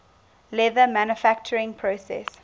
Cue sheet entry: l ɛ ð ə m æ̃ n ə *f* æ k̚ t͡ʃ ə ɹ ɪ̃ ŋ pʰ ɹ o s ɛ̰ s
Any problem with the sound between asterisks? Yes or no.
no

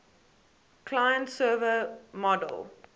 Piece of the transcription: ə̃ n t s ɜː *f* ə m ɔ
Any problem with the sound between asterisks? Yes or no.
yes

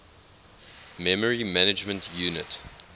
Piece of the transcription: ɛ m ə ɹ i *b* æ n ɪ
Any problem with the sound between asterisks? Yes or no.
yes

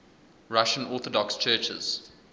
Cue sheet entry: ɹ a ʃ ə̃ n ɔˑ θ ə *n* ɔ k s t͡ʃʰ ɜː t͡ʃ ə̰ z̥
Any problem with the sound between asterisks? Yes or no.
yes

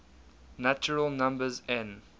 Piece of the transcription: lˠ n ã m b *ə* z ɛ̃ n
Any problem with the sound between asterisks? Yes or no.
no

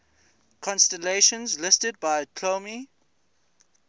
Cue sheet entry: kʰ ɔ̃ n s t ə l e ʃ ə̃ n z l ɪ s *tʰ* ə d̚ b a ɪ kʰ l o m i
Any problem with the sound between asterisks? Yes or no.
yes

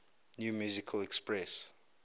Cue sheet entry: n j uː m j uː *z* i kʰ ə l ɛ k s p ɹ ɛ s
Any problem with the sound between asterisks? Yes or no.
no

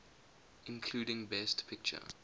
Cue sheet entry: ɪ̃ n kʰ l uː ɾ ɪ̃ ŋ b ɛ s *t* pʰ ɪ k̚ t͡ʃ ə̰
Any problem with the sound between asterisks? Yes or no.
no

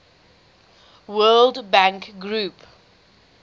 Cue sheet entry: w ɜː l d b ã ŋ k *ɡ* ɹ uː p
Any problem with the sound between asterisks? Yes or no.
no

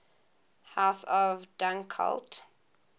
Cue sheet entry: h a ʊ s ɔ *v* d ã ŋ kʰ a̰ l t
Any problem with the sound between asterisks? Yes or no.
no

